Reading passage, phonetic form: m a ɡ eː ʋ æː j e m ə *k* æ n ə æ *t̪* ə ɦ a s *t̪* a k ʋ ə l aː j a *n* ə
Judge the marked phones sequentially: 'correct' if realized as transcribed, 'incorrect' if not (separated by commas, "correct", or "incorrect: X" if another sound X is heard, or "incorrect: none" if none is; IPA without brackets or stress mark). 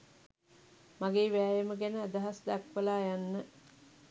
incorrect: ɡ, incorrect: d̪, incorrect: d̪, incorrect: nː